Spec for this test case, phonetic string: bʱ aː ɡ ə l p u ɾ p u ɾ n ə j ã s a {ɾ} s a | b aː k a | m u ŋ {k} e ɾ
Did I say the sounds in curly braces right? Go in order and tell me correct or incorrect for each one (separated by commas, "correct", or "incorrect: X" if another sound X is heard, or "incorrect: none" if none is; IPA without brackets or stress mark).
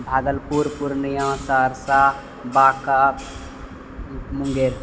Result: correct, incorrect: ɡ